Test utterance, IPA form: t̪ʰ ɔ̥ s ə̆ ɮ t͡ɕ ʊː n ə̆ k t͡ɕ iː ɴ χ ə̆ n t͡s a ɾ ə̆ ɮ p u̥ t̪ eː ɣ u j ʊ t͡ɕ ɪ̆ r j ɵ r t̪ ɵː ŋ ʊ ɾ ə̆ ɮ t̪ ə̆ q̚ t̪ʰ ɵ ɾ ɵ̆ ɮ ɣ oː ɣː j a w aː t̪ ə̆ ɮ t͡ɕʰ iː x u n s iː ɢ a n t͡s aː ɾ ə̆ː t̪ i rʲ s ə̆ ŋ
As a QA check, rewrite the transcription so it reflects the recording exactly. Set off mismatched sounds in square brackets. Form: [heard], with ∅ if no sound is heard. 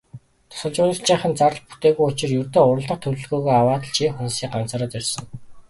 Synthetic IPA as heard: t̪ʰ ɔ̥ s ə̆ ɮ t͡ɕ ʊː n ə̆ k t͡ɕ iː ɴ χ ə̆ n t͡s a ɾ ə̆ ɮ p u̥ t̪ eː ɣ u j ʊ t͡ɕ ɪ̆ r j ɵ r t̪ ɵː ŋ ʊ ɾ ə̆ ɮ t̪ ə̆ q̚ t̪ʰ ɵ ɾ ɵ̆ ɮ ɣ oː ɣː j a w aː t̪ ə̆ ɮ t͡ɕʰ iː x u n s iː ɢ a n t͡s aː ɾ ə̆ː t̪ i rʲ s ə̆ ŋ